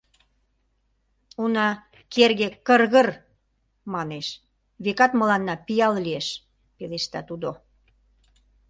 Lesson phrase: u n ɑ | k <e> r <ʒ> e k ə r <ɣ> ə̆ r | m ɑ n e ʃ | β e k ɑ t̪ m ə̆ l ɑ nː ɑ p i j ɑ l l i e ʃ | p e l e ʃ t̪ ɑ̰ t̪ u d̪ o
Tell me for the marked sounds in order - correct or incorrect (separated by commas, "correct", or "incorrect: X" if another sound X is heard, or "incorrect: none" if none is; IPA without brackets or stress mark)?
correct, incorrect: ɣ, correct